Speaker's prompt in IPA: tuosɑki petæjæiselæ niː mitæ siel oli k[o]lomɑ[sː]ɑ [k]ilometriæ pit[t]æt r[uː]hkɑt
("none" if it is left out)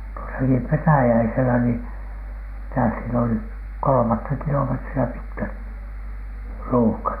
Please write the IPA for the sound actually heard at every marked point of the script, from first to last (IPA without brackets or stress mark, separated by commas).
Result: o, tː, k, k, uː